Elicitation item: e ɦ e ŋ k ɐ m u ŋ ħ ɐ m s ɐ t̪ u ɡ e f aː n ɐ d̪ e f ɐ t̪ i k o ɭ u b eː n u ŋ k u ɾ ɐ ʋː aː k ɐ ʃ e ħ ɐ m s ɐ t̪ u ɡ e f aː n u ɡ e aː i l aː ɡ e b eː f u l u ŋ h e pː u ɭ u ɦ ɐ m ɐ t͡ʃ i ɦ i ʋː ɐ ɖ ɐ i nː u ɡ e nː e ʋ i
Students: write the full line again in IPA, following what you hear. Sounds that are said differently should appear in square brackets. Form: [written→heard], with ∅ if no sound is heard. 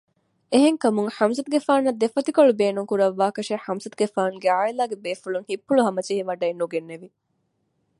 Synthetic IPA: e ɦ e ŋ k ɐ m u ŋ ħ ɐ m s ɐ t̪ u ɡ e f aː n ɐ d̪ e f ɐ t̪ i k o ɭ u b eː n u ŋ k u ɾ ɐ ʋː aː k ɐ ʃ e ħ ɐ m s ɐ t̪ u ɡ e f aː n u ɡ e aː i l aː ɡ e b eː f u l u ŋ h [e→i] pː u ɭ u ɦ ɐ m ɐ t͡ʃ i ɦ i [ʋː→ʋ] ɐ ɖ ɐ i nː u ɡ e nː e ʋ i